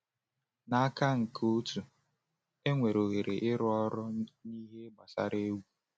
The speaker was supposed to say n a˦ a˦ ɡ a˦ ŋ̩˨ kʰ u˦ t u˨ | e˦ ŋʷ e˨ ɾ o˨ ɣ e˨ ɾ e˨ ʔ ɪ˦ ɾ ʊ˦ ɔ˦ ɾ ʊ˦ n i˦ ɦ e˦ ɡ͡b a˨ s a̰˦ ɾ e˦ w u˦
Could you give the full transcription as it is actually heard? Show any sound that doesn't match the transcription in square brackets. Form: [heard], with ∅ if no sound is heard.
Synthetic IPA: n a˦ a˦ [k] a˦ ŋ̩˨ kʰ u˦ t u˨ | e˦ ŋʷ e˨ ɾ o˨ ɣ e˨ ɾ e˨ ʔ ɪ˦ ɾ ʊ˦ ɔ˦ ɾ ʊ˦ n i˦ ɦ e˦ ɡ͡b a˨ s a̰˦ ɾ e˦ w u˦